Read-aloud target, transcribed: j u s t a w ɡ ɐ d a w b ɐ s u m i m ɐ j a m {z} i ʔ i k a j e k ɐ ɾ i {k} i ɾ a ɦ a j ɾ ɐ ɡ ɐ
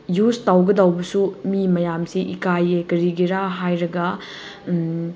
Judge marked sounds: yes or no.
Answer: no, no

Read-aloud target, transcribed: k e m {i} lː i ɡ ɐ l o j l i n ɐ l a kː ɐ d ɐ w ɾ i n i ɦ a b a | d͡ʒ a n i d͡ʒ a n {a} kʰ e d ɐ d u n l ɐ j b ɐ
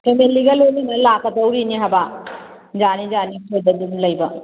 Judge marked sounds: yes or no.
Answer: no, no

